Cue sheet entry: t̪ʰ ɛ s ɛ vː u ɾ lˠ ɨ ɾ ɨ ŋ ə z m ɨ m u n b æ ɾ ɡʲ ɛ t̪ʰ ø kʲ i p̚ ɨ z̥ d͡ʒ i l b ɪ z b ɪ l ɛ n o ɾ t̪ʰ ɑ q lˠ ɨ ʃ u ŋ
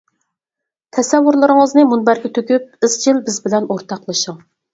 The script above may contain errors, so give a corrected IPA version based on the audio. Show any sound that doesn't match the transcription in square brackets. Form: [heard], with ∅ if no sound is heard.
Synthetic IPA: t̪ʰ ɛ s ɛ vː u ɾ lˠ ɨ ɾ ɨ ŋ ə z [n] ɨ m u n b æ ɾ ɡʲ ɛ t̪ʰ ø kʲ [y] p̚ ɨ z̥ d͡ʒ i l b ɪ z b ɪ l ɛ n o ɾ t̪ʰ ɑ q lˠ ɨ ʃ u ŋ